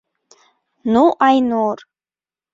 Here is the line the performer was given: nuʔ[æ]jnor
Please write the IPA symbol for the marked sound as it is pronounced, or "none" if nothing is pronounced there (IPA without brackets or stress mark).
a